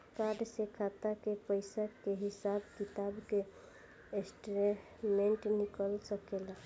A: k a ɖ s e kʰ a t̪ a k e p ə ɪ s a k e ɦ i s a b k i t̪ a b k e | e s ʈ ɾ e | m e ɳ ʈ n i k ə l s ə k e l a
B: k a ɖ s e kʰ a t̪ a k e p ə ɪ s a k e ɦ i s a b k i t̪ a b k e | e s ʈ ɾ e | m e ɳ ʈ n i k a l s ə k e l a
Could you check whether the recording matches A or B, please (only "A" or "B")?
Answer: A